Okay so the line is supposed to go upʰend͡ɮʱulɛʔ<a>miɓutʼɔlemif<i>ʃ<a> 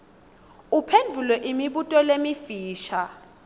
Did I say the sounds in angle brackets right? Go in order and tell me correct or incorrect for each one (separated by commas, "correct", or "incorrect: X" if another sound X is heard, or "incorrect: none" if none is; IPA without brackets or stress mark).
incorrect: i, incorrect: iː, correct